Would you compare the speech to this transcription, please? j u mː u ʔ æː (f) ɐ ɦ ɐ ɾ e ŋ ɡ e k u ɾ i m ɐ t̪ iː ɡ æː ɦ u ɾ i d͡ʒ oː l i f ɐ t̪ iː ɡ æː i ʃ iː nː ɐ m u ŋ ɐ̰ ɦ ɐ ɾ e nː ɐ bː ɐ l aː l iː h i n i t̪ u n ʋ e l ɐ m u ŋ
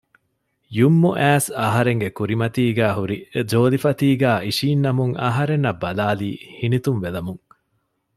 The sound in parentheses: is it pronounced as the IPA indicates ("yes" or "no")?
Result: no